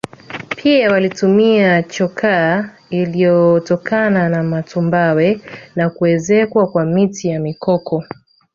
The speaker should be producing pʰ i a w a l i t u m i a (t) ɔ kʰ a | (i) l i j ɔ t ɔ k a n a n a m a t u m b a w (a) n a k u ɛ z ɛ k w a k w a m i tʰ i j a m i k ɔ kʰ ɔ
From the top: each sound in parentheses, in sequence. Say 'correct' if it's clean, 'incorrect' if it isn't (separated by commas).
incorrect, correct, incorrect